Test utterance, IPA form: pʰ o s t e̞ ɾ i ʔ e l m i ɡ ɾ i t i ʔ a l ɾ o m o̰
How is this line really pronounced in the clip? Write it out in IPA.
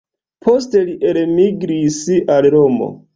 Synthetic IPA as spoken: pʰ o s t e̞ l i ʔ e l m i ɡ ɾ i s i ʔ a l ɾ o m o̰